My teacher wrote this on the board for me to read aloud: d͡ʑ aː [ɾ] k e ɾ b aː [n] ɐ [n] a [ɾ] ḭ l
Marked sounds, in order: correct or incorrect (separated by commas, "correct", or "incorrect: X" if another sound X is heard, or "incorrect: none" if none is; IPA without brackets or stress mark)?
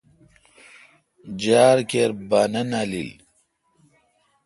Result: correct, correct, correct, incorrect: l